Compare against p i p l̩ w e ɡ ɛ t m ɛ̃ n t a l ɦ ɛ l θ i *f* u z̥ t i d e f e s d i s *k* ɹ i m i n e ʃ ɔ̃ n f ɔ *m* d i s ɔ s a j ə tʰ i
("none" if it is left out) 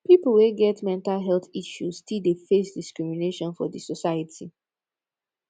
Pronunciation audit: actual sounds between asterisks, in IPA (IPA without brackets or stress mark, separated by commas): ʃ, k, none